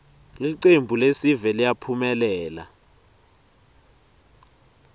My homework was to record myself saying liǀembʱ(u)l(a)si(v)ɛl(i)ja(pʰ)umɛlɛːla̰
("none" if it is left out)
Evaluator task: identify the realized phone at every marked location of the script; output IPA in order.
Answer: u, e, v, i, pʰ

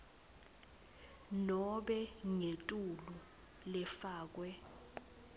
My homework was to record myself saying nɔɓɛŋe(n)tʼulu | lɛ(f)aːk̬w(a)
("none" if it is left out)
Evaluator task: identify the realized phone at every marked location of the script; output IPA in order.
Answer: none, f, ɛ

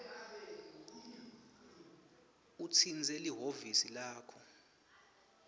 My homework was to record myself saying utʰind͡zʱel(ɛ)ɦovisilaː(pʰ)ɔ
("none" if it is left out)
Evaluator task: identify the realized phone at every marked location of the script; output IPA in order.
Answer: i, kʰ

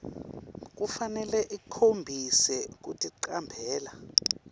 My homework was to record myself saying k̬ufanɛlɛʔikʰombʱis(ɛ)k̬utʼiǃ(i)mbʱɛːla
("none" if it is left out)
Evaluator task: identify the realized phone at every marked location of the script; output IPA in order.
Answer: ɛ, a

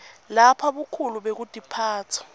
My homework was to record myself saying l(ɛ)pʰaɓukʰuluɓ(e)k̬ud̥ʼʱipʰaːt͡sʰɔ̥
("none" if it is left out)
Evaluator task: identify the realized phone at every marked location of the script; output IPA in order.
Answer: a, e

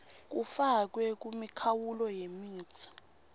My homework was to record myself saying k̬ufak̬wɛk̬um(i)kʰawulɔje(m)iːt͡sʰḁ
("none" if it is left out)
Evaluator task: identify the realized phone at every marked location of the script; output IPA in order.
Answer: i, m

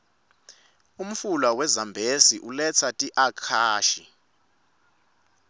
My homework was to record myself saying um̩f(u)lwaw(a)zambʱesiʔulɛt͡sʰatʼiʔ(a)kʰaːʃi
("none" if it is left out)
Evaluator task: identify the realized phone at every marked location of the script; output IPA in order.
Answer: u, ɛ, a

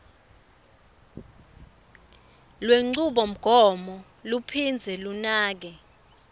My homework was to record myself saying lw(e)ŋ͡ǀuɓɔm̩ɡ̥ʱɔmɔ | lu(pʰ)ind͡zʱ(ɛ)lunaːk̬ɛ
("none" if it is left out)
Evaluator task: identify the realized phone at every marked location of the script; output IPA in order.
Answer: e, pʰ, ɛ

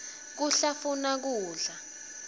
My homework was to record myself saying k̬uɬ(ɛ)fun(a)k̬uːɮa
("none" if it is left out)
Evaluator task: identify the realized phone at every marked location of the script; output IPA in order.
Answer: a, a

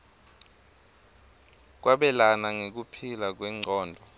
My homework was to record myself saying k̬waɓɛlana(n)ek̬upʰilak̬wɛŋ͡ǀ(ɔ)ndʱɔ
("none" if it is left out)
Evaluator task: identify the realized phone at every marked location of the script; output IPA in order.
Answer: ŋ, ɔː

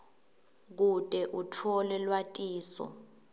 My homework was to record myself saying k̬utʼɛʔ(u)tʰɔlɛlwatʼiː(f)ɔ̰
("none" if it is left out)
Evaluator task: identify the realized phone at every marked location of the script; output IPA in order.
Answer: u, s

